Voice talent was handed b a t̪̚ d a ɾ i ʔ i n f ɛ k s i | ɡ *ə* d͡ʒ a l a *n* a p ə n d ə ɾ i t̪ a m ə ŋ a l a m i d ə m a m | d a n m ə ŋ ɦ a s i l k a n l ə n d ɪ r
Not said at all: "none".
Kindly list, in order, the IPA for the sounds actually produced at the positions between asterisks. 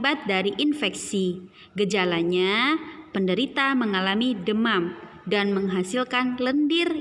ə, ɲ

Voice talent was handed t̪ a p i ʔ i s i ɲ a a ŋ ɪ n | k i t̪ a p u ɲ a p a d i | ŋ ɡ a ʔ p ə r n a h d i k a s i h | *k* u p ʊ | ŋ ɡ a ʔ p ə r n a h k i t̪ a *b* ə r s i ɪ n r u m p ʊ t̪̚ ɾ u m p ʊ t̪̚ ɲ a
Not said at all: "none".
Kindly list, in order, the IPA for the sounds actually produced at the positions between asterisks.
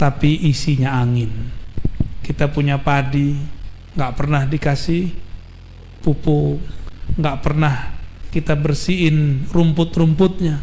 p, b

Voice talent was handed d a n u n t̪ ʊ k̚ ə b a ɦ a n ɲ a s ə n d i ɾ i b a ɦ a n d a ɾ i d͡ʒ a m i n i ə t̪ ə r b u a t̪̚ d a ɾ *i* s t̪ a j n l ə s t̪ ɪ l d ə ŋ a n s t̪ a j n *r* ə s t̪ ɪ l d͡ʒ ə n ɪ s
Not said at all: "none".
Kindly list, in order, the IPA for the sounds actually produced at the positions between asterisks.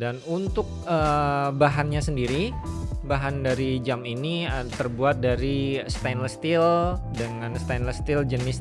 i, l

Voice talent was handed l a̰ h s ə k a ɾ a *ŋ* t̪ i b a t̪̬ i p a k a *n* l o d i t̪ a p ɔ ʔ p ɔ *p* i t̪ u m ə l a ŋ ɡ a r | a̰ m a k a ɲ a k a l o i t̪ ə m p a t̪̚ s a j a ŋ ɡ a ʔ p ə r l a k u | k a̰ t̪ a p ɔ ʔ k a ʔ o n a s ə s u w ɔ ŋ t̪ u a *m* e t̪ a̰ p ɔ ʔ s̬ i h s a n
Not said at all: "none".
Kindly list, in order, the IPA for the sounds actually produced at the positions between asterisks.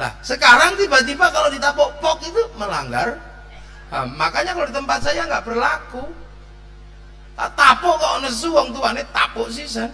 ŋ, none, k, n

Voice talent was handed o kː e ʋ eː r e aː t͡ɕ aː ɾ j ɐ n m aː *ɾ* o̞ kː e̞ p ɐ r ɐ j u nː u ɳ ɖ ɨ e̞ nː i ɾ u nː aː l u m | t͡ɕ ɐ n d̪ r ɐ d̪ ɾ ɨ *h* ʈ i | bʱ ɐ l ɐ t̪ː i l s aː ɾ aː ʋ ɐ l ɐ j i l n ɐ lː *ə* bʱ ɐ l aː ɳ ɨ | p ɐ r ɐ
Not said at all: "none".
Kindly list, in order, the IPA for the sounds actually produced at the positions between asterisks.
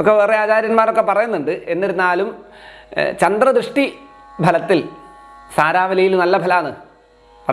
ɾ, ʂ, ɐ

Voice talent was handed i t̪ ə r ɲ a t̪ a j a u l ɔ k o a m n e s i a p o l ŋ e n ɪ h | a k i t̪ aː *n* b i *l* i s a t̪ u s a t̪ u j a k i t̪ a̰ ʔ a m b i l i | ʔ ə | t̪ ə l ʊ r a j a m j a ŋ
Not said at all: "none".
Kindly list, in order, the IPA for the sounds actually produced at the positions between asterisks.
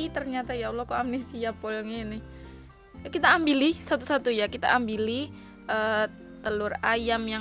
m, l

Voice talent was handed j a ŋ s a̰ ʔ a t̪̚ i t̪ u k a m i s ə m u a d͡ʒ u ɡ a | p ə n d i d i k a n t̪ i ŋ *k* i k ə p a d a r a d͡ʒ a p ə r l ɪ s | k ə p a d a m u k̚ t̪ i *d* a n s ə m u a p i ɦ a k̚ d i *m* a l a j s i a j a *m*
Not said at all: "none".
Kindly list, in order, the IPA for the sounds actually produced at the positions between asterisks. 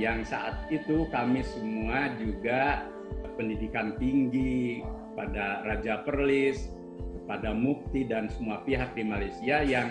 ɡ, d, m, ŋ

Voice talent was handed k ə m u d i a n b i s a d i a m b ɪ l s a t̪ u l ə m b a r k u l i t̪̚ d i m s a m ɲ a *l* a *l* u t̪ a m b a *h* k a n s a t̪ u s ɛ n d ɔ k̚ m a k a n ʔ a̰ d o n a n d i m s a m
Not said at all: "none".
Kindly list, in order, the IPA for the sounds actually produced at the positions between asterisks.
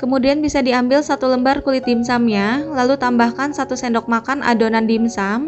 l, l, h

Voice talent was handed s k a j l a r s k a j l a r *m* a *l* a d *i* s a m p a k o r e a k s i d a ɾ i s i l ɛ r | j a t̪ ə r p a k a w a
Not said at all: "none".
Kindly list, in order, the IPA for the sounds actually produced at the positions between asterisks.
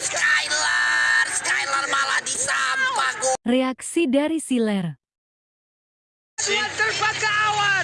m, l, i

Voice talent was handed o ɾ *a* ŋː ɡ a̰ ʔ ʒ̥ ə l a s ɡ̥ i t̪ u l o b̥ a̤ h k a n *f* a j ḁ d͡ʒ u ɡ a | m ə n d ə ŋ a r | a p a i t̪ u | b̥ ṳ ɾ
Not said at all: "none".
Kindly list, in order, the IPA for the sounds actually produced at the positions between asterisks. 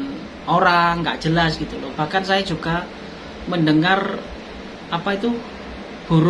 a, s

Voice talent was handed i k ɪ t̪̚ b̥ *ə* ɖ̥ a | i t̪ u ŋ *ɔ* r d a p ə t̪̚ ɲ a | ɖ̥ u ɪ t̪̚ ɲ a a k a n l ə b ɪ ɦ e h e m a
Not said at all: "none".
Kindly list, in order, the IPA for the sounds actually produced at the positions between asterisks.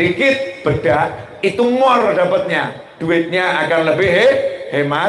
ə, ɔ

